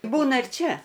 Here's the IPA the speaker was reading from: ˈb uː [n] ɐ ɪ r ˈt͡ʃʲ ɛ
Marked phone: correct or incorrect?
correct